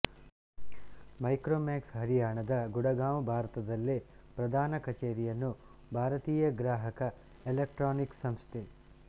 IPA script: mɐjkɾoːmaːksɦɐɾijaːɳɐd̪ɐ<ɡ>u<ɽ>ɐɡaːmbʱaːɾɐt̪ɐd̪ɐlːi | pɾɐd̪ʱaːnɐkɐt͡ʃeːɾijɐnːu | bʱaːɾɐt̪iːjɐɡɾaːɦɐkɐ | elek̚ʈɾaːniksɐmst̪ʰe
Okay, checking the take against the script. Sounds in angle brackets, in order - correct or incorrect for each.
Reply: correct, correct

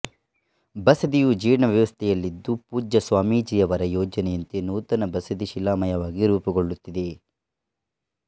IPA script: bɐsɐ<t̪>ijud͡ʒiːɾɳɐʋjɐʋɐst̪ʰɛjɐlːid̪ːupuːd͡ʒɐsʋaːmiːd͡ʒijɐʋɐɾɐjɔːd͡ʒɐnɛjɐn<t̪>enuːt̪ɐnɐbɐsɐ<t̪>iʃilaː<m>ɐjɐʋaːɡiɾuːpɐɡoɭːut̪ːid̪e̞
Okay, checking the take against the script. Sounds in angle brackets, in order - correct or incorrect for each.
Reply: incorrect, correct, incorrect, correct

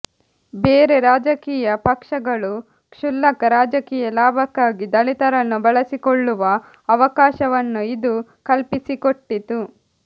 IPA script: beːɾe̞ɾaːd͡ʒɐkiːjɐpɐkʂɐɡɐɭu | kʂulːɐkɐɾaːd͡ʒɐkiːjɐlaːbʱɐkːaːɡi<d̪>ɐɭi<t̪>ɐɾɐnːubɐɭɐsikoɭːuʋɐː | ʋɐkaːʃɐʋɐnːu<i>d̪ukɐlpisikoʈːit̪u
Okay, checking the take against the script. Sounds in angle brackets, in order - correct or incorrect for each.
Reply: correct, correct, correct

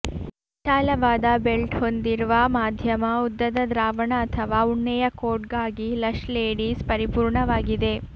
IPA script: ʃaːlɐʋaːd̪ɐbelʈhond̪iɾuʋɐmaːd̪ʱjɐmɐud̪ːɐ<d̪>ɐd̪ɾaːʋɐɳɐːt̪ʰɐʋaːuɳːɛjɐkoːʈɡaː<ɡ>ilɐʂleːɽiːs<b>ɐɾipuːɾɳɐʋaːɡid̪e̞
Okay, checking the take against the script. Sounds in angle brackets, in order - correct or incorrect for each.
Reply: correct, correct, incorrect

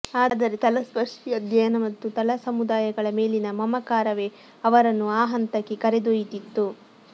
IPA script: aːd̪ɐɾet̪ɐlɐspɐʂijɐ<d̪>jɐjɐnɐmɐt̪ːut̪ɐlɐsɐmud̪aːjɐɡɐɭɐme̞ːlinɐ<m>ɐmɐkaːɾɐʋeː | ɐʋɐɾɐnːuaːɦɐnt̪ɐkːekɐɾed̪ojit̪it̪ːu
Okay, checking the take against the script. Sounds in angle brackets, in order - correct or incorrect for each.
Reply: correct, correct

